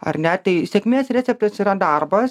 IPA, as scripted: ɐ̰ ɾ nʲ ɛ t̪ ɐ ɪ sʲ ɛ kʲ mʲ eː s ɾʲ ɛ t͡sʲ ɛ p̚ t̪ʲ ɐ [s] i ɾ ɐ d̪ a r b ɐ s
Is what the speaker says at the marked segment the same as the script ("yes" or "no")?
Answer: yes